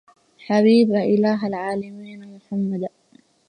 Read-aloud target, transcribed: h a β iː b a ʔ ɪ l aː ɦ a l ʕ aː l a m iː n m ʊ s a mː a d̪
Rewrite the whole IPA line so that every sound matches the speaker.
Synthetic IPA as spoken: ħ a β iː b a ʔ ɪ l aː ɦ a l ʕ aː l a m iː n m ʊ ħ a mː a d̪